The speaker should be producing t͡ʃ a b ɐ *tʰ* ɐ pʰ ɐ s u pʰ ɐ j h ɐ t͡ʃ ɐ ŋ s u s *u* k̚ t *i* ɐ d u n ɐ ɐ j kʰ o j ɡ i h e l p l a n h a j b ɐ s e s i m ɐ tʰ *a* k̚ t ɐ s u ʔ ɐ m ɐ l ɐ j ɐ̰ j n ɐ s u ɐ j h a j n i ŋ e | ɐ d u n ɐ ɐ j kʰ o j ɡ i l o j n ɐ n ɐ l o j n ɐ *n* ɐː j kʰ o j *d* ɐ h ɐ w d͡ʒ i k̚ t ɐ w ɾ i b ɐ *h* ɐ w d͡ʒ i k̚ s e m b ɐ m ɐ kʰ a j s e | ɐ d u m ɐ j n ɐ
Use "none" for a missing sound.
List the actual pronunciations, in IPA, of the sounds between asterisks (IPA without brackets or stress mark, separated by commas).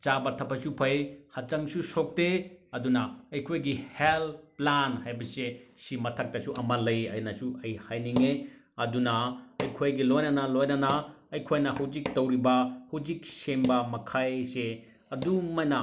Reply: tʰ, o, e, ɐ, n, n, h